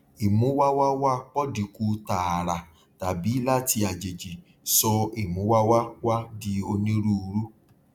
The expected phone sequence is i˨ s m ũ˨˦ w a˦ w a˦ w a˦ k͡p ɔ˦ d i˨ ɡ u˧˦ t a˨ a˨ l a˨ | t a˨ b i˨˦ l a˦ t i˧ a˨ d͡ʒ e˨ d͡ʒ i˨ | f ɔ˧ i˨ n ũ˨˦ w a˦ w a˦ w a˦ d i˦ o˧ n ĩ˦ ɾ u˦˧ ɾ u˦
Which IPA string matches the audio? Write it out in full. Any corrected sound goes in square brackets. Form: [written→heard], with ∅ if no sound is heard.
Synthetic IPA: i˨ [s→∅] m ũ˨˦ w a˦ w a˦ w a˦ k͡p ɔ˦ d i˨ [ɡ→k] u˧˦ t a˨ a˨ [l→ɾ] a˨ | t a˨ b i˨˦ l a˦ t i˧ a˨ d͡ʒ e˨ d͡ʒ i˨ | [f→s] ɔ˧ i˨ [n→m] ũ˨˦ w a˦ w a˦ w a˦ d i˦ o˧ n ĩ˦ ɾ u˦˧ ɾ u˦